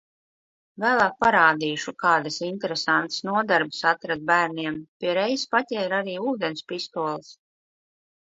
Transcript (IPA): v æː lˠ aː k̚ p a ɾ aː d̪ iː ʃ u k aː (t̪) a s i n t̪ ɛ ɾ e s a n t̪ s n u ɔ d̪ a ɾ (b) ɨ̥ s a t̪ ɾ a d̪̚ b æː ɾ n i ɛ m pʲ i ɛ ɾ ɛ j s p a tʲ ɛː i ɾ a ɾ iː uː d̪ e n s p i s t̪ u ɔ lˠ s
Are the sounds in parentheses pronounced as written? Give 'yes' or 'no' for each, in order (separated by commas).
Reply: no, yes